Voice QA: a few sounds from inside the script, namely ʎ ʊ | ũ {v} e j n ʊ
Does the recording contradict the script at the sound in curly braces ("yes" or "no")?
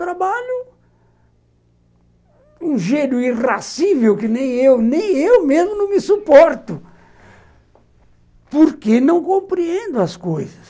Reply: yes